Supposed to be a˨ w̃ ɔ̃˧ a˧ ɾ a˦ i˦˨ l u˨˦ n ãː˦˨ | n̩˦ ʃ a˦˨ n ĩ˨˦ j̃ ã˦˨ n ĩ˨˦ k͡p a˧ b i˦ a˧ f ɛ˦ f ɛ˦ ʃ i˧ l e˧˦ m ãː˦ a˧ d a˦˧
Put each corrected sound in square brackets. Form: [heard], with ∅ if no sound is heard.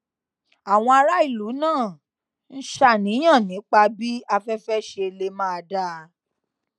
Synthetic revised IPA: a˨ w̃ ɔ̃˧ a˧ ɾ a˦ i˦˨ l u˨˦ n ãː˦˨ | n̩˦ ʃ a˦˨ n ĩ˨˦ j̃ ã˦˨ n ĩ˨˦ k͡p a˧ b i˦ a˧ f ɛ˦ f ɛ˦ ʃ [e˧] l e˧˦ m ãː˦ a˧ d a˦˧